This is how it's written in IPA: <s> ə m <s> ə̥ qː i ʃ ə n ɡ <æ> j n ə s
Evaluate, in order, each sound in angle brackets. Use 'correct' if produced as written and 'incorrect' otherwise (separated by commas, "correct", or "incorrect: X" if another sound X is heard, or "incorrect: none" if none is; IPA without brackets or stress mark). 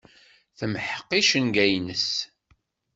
incorrect: θ, incorrect: ħ, correct